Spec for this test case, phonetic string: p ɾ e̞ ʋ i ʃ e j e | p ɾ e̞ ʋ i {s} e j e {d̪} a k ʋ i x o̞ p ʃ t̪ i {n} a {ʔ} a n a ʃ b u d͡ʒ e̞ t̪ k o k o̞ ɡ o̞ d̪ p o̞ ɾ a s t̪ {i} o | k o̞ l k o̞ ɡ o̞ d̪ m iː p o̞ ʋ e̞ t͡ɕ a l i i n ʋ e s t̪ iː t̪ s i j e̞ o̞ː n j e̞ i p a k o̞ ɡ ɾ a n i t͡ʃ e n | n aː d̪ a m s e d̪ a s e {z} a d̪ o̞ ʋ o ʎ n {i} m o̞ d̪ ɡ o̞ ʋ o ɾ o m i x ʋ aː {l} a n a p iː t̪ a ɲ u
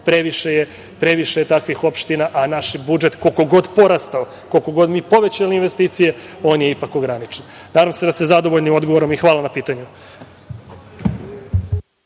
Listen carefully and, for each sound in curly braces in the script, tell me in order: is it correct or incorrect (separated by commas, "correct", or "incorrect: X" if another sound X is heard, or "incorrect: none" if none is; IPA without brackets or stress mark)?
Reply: incorrect: ʃ, incorrect: t̪, correct, correct, incorrect: a, correct, correct, correct